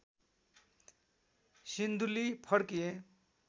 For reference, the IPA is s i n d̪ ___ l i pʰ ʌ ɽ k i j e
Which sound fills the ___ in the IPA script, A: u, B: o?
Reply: A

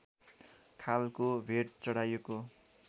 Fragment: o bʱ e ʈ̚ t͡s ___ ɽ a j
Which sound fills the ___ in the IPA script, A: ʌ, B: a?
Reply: A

